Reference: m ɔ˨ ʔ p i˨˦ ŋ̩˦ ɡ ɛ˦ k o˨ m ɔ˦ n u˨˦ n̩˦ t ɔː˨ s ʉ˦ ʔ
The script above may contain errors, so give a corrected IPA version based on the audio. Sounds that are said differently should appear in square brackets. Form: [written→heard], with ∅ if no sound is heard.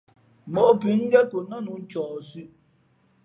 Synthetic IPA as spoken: m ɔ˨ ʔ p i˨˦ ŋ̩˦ ɡ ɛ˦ k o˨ [m→n] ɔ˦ n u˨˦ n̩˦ [t→t͡ʃ] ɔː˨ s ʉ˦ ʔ